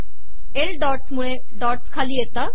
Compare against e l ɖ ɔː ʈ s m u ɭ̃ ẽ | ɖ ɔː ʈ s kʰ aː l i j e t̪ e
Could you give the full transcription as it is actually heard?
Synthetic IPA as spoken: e l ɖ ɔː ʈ s m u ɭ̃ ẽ | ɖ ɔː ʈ s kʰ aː l i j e t̪ a